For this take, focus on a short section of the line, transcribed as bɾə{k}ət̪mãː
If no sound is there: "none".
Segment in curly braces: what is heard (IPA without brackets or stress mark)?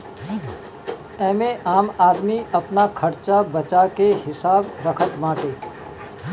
kʰ